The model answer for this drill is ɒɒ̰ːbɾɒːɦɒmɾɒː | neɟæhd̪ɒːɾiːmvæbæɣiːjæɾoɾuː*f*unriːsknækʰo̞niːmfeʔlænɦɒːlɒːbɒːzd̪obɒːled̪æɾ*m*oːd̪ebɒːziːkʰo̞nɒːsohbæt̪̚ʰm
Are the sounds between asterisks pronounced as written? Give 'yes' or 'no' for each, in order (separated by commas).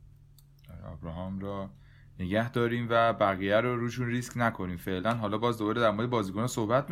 no, yes